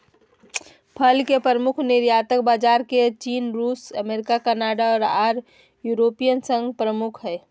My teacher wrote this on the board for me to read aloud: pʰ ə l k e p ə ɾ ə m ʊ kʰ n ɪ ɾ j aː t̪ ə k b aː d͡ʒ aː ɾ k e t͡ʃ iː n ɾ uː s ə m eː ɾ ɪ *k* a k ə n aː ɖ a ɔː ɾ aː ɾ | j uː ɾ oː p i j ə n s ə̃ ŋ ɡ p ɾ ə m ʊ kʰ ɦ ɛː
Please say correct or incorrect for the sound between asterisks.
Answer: correct